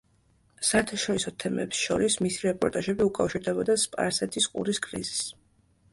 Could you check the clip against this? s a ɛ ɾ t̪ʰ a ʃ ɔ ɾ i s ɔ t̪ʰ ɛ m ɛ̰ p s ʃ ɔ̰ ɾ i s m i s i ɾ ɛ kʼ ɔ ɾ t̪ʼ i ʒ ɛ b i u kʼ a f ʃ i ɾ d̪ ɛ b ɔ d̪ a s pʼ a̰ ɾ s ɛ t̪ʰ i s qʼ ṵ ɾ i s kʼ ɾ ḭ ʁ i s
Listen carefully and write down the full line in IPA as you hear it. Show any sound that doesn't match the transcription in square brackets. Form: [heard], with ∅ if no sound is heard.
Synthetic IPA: s a ɛ ɾ t̪ʰ a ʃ ɔ ɾ i s ɔ t̪ʰ ɛ m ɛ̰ p s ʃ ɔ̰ ɾ i s m i s i ɾ ɛ [pʼ] ɔ ɾ t̪ʼ [a] ʒ ɛ b i u kʼ a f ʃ i ɾ d̪ ɛ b ɔ d̪ a s pʼ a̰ ɾ s ɛ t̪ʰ i s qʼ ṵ ɾ i s kʼ ɾ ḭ [z] i s